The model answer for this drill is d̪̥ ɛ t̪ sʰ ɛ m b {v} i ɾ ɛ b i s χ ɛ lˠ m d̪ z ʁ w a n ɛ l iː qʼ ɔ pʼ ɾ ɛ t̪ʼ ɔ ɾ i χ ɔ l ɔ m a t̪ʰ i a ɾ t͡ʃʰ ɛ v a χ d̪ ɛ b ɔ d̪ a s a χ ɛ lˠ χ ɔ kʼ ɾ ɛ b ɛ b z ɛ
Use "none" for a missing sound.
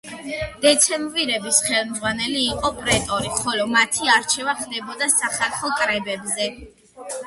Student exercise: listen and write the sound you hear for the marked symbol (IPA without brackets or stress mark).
v